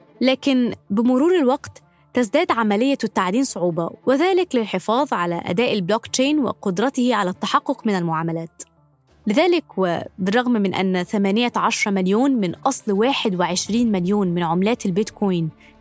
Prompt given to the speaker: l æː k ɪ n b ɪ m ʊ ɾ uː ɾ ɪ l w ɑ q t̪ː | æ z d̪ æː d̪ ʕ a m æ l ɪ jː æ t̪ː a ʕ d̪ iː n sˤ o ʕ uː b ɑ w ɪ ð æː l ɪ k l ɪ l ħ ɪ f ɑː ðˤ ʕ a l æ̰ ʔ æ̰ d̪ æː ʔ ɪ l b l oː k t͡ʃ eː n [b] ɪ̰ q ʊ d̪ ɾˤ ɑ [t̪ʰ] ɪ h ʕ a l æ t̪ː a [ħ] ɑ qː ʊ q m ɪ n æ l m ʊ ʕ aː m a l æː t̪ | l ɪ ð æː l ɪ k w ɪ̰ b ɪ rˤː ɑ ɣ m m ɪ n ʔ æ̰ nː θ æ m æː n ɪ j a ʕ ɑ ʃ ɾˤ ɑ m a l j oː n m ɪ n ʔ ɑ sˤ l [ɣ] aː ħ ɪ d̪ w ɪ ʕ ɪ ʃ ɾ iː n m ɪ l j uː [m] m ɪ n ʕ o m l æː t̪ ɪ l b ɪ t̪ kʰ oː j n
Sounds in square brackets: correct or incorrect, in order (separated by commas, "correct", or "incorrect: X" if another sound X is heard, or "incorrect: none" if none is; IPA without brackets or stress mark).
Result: incorrect: w, incorrect: t̪, correct, incorrect: w, incorrect: n